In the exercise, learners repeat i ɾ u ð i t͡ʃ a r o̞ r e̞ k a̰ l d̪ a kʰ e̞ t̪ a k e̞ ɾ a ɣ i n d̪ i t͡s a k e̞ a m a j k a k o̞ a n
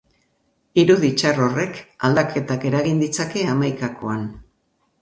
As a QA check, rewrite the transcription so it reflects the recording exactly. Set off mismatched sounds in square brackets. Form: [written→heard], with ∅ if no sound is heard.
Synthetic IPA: i ɾ u ð i t͡ʃ a r o̞ r e̞ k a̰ l d̪ a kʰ e̞ t̪ a k e̞ ɾ a ɣ i n d̪ i t͡s a k e̞ a m a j k a k o̞ a n